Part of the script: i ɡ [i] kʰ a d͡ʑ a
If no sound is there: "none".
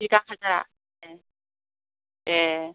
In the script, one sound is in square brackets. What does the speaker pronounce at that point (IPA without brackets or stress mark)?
a